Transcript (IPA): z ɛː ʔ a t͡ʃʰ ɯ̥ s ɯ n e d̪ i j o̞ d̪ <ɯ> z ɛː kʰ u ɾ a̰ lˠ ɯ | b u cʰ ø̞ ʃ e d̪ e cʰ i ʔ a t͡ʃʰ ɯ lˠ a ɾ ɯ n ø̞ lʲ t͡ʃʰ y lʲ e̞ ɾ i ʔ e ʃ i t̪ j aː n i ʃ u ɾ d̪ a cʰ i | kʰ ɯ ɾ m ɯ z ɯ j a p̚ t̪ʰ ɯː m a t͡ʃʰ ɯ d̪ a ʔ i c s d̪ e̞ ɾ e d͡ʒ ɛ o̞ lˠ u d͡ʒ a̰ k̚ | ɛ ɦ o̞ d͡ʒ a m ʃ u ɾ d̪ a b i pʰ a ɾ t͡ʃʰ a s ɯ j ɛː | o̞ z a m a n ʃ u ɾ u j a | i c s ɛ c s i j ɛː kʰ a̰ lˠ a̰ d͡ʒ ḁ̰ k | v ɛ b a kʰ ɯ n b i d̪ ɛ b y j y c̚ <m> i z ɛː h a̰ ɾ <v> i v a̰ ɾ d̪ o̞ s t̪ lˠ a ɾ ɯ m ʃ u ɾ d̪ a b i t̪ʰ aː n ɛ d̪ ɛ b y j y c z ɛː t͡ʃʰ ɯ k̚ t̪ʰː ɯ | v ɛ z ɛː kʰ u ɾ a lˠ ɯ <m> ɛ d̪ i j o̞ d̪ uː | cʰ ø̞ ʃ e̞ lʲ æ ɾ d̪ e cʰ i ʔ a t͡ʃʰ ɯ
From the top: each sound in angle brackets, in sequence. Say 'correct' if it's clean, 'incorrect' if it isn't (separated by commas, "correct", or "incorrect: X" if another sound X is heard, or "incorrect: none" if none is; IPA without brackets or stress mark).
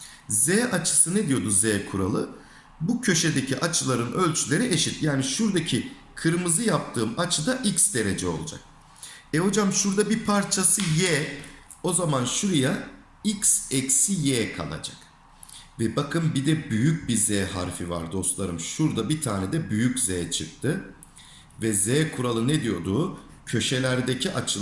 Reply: incorrect: u, incorrect: b, incorrect: f, incorrect: n